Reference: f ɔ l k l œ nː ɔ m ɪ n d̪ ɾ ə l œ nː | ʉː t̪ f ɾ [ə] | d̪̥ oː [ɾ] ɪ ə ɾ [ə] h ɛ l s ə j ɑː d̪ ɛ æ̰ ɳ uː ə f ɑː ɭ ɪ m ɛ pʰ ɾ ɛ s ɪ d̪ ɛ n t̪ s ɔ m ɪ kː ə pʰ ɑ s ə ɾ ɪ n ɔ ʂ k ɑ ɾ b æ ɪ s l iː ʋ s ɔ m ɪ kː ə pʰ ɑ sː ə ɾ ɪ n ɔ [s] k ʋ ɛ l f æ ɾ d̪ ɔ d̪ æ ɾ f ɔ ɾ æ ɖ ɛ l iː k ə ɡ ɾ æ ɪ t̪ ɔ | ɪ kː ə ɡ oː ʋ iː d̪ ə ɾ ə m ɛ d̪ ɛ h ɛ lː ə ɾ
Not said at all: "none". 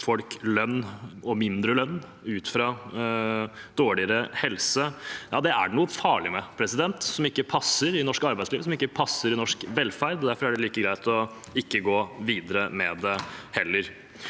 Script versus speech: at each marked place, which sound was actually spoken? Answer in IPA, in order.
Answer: ɑ, ɭ, ə, ʂ

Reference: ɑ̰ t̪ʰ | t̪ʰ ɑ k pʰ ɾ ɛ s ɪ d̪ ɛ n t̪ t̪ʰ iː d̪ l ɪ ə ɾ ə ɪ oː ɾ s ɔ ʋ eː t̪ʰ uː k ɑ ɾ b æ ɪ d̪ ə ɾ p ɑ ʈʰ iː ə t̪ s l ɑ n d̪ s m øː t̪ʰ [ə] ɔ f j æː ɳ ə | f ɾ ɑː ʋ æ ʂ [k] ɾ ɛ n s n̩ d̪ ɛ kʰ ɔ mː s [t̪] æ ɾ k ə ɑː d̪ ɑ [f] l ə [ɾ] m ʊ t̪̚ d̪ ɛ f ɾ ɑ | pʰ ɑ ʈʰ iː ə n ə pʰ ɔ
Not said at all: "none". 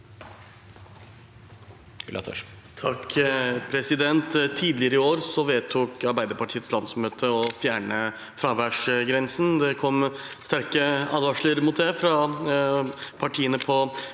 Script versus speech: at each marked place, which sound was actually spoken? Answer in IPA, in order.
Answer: ə, ɡ, t̪, ʂ, ɾ

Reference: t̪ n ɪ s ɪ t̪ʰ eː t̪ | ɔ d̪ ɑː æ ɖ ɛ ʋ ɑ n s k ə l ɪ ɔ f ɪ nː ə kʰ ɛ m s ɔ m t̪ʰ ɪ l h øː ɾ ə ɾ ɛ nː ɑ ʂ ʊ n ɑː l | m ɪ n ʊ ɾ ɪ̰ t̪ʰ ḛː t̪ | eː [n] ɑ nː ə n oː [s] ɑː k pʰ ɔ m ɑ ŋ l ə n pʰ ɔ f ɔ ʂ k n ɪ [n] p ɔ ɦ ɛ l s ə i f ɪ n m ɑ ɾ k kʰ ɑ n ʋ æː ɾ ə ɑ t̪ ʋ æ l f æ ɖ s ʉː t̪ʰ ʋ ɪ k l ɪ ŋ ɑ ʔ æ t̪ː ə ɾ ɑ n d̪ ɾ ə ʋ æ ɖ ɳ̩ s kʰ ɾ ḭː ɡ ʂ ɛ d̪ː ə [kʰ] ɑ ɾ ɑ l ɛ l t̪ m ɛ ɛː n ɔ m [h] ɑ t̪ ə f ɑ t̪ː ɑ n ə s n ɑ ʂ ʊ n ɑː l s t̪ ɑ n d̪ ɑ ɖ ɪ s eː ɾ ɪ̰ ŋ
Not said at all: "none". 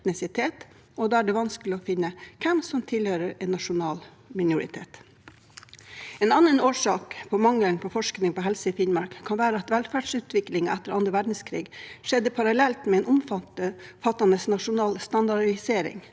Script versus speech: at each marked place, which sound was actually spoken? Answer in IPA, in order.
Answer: n, ʂ, ŋ, pʰ, f

